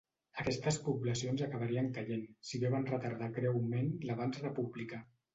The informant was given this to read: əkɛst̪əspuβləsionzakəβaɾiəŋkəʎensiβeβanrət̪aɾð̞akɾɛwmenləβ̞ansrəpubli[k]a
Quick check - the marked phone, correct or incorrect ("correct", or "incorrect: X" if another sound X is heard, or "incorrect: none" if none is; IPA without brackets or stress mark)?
correct